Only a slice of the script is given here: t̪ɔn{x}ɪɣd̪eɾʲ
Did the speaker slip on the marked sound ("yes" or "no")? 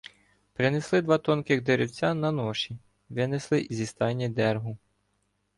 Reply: yes